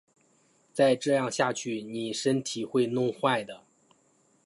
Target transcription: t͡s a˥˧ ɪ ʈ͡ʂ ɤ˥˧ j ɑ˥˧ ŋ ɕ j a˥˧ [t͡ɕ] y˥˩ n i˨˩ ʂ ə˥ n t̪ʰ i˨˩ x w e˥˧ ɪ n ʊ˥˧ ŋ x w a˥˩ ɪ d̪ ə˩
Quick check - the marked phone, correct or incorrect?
incorrect